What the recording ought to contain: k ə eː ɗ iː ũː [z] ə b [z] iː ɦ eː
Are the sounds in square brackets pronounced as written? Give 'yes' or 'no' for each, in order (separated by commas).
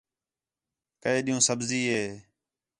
no, yes